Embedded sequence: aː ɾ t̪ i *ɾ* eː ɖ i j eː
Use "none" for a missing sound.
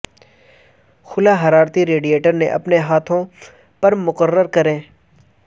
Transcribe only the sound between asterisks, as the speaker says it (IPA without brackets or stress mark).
ɾ